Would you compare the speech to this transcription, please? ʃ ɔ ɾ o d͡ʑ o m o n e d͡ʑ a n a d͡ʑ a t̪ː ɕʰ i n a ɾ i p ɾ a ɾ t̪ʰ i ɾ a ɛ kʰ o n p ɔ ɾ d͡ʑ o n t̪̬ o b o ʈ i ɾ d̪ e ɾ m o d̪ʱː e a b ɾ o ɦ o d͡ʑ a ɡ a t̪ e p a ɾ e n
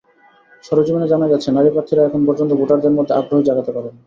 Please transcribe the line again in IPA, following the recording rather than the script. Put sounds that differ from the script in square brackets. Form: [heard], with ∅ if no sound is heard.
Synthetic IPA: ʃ ɔ ɾ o d͡ʑ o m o n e d͡ʑ a n a d͡ʑ a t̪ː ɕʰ [e] n a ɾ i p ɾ a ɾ t̪ʰ i ɾ a ɛ kʰ o n p ɔ ɾ d͡ʑ o n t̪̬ o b o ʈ [a] ɾ d̪ e ɾ m o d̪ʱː e a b ɾ o ɦ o d͡ʑ a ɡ a t̪ e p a ɾ e n